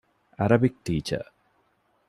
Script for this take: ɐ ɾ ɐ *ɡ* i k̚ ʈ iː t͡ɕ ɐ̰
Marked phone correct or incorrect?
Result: incorrect